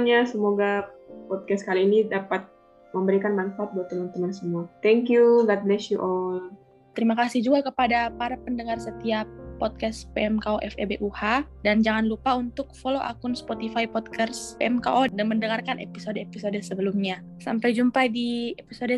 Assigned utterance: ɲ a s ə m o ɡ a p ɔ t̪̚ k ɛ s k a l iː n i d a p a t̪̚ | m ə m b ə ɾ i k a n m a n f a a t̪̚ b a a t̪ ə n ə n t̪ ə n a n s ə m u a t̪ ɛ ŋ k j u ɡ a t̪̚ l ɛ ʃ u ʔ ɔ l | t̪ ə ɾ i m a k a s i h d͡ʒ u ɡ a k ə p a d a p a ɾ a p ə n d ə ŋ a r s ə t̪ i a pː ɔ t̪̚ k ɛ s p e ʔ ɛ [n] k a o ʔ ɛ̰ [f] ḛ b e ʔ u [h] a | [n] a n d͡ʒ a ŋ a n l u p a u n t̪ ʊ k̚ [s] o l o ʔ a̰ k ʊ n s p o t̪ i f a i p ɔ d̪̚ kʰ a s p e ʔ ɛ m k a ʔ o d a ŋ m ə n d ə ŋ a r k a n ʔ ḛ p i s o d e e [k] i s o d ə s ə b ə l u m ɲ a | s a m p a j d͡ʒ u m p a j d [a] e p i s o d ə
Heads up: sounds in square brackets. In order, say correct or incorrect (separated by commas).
incorrect, correct, correct, incorrect, incorrect, incorrect, incorrect